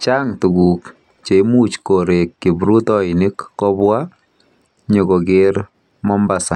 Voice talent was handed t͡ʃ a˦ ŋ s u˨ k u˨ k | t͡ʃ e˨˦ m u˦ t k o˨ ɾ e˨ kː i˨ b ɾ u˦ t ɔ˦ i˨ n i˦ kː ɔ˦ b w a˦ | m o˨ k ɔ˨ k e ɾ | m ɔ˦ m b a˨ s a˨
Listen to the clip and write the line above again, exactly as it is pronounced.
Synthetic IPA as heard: t͡ʃ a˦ ŋ t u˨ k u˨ k | t͡ʃ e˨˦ m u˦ t͡ʃ k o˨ ɾ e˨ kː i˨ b ɾ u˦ t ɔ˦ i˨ n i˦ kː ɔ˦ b w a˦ | ɲ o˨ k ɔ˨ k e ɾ | m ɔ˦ m b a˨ s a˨